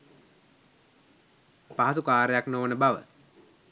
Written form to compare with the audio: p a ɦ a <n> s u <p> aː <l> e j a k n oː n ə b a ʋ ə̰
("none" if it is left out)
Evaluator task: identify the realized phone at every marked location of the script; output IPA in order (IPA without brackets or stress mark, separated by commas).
none, k, ɾ